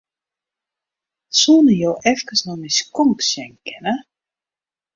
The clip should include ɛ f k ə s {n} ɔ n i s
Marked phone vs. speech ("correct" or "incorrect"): correct